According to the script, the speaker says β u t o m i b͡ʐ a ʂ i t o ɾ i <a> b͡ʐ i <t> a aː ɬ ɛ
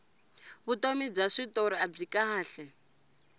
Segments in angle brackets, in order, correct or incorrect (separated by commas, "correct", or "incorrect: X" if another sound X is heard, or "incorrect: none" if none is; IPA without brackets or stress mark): correct, incorrect: k